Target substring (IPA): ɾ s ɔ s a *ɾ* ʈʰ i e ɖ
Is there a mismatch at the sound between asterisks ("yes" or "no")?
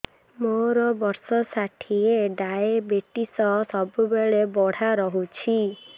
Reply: yes